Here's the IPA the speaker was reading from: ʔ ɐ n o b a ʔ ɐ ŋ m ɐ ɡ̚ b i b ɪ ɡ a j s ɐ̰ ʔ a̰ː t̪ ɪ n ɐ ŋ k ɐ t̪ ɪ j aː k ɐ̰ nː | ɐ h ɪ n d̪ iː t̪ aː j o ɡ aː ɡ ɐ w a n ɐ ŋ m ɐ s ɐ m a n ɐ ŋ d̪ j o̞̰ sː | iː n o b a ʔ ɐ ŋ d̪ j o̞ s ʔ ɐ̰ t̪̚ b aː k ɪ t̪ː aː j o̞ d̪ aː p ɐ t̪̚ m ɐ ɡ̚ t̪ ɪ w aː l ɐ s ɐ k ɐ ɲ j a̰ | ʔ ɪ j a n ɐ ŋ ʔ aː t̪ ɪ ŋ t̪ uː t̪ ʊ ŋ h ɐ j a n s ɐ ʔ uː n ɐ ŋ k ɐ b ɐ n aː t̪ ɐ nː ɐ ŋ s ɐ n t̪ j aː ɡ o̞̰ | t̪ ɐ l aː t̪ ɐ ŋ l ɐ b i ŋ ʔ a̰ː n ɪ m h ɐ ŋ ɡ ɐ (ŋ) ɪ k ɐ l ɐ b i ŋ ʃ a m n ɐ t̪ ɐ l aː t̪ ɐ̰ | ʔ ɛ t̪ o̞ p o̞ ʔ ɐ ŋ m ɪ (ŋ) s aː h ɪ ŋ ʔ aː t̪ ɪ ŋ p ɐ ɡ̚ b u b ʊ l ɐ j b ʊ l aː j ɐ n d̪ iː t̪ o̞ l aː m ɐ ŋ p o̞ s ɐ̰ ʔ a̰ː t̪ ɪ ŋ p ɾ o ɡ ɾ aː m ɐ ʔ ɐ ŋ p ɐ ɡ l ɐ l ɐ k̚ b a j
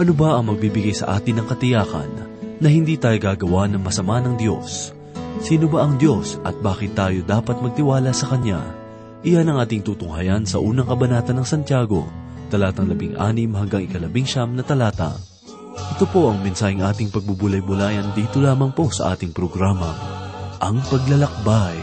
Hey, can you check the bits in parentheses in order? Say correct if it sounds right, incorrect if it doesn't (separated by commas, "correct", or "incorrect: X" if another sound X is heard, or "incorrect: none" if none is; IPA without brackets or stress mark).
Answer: correct, incorrect: n